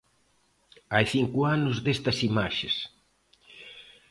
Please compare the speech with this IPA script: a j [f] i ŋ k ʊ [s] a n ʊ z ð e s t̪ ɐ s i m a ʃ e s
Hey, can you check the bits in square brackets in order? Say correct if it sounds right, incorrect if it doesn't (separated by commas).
incorrect, incorrect